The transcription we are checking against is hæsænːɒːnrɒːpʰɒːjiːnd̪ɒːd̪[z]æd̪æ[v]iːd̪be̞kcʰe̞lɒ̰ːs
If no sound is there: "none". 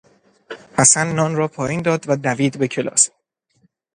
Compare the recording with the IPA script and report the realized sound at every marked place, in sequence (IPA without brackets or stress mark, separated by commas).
v, v